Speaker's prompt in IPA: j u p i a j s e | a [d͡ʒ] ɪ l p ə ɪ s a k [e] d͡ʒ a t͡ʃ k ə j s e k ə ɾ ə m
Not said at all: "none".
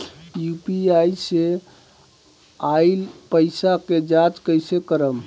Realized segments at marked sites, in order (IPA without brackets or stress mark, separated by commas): none, e